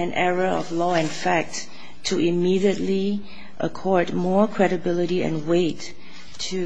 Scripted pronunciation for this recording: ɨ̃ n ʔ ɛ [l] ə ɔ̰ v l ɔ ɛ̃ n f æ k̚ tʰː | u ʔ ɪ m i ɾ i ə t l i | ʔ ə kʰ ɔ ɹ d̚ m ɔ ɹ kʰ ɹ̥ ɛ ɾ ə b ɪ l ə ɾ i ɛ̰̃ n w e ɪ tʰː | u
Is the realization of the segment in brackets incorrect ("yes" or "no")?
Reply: yes